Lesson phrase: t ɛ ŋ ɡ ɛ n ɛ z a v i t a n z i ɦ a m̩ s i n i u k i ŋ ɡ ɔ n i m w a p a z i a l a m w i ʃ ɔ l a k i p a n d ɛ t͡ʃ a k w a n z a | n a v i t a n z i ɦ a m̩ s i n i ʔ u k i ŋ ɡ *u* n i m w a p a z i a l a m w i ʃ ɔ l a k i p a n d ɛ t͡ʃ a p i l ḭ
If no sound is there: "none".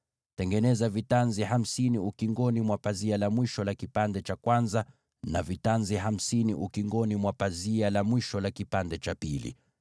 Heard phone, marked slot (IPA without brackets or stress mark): ɔ